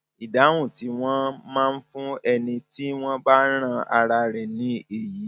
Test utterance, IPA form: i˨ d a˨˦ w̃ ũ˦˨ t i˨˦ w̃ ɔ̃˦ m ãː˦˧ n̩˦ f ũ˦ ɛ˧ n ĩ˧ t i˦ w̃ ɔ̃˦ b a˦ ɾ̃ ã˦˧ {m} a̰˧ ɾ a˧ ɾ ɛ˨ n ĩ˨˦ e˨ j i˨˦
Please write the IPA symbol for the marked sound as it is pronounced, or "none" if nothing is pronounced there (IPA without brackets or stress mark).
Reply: none